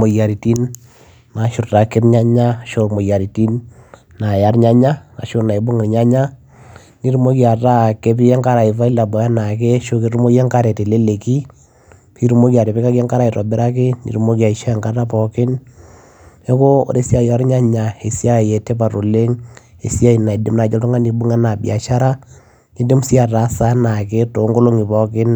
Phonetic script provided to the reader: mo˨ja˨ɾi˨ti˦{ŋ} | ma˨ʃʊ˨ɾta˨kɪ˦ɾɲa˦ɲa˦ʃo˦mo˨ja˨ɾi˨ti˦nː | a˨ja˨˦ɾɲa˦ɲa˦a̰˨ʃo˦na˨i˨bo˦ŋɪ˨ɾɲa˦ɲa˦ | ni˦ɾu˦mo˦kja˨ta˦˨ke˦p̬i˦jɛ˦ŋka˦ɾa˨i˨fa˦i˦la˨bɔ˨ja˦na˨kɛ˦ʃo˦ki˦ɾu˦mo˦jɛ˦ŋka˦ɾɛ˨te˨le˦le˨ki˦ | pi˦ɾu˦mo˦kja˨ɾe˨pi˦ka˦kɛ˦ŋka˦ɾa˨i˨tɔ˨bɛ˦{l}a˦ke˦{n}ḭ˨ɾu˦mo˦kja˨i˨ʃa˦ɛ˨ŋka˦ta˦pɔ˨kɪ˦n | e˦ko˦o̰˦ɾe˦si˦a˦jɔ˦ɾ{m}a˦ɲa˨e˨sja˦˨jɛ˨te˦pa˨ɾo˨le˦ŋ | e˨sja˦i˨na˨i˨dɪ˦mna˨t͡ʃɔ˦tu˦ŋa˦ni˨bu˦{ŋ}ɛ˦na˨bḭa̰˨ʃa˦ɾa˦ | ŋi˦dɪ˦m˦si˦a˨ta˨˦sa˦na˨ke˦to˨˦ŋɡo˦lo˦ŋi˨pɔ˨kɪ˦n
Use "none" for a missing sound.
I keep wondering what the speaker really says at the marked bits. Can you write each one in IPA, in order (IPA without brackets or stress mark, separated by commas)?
n, ɾ, n, ɲ, ŋ